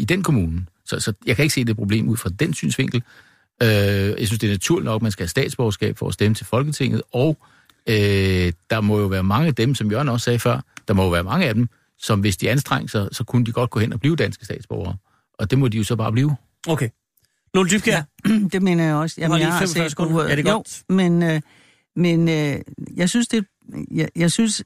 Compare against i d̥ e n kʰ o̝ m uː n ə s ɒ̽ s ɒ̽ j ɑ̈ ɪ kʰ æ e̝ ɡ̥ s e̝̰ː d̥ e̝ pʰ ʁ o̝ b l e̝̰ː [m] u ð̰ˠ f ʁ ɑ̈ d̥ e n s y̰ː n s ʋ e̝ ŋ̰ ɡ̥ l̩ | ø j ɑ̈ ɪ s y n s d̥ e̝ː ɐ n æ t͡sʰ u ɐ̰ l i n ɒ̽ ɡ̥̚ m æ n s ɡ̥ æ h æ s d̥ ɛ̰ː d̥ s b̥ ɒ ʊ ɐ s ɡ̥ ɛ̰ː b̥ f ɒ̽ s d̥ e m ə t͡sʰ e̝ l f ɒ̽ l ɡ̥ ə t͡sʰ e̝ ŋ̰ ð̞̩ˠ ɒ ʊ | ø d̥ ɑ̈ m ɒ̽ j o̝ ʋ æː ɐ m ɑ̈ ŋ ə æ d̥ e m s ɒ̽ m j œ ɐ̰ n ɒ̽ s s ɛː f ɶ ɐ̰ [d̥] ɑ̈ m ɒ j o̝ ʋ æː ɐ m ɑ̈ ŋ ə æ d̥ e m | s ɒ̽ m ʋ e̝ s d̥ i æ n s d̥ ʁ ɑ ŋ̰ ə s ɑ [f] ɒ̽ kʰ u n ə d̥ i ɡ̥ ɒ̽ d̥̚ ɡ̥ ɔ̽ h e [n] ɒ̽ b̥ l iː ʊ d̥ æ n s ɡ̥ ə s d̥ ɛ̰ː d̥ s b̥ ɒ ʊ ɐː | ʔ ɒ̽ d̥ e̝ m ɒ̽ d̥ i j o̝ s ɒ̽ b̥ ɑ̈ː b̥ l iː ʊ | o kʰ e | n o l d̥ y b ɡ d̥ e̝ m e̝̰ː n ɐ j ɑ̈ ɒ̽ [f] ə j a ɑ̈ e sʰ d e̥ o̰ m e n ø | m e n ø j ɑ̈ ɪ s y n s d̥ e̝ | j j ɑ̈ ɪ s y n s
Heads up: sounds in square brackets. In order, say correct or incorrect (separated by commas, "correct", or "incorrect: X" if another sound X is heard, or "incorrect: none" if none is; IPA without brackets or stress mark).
correct, correct, incorrect: s, correct, incorrect: s